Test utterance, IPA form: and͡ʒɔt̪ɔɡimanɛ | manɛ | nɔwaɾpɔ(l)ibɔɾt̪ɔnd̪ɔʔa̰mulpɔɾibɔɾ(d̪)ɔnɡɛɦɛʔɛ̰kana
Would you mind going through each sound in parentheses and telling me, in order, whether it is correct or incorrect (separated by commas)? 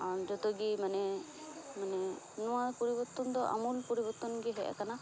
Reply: incorrect, incorrect